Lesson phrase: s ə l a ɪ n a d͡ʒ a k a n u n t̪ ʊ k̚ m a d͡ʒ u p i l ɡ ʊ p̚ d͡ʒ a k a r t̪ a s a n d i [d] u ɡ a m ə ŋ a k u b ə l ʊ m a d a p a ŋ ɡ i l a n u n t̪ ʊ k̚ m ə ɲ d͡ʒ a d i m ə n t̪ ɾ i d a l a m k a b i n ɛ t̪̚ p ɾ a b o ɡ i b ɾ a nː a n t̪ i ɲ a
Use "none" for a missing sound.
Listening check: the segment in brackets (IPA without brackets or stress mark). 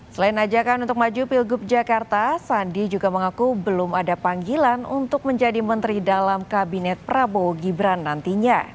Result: d͡ʒ